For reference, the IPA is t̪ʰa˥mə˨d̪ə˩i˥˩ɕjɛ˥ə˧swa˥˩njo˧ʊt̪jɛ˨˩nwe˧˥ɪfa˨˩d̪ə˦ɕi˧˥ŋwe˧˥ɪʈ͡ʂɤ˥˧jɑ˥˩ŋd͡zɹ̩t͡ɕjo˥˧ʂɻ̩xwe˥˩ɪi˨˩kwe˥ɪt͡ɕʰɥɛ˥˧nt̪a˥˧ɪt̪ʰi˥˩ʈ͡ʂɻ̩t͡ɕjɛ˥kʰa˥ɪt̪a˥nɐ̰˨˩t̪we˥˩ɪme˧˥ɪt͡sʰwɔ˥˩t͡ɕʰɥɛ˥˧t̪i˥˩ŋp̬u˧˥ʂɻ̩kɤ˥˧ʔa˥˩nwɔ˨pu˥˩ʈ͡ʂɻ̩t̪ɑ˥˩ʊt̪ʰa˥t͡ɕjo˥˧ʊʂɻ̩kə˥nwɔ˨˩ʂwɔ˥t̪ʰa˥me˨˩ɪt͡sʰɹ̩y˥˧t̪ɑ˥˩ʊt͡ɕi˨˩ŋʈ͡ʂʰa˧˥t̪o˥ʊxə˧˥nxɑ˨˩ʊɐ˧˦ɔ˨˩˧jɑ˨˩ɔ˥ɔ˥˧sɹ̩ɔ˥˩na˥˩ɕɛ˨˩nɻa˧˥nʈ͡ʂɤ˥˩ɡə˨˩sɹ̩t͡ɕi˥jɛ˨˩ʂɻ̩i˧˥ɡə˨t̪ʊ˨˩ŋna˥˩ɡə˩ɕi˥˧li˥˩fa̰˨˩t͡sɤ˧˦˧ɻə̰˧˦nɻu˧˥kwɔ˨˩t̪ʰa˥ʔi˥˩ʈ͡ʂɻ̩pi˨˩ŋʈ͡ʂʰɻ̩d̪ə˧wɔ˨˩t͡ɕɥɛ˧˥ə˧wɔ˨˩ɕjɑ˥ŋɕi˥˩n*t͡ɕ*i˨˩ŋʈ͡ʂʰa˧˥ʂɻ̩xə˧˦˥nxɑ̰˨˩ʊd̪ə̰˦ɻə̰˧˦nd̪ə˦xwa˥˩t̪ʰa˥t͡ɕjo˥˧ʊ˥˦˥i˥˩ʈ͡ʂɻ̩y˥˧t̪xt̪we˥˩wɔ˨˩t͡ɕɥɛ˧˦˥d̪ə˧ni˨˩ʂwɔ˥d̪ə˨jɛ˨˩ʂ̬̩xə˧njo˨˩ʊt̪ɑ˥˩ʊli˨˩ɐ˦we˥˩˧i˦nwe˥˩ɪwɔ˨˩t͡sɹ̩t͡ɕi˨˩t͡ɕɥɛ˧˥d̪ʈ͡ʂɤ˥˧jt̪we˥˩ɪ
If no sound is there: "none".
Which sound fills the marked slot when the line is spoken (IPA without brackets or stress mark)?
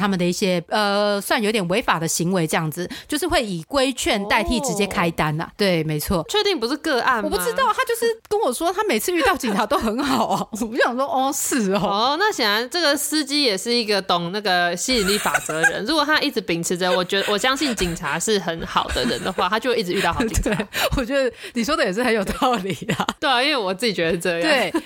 t͡ɕ